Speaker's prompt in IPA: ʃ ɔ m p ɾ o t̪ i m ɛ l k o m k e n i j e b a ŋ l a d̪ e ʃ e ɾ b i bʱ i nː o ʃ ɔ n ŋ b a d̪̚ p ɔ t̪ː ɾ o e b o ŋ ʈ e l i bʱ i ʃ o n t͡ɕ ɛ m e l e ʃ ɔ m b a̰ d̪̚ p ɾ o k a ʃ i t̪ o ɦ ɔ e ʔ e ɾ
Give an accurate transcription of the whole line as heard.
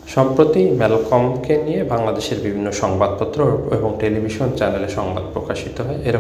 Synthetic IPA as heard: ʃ ɔ m p ɾ o t̪ i m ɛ l k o m k e n i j e b a ŋ l a d̪ e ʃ e ɾ b i bʱ i nː o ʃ ɔ ŋ b a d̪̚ p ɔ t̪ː ɾ o e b o ŋ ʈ e l i bʱ i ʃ o n t͡ɕ ɛ n e l e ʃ ɔ ŋ b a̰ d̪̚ p ɾ o k a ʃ i t̪ o ɦ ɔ e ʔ e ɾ